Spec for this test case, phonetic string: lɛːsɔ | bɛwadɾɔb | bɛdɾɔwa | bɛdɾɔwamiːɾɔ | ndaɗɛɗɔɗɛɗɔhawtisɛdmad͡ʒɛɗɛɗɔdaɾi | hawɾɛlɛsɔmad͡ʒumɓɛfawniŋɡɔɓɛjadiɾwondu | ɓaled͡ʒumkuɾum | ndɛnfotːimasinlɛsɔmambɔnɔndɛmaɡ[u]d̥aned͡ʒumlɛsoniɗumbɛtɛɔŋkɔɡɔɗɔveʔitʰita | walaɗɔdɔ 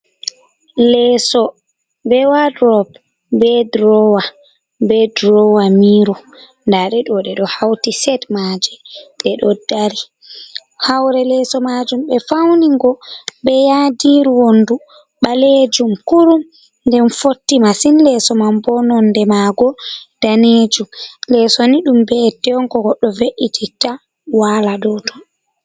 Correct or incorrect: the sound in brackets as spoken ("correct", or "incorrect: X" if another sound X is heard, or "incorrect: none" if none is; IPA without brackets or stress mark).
incorrect: ɔ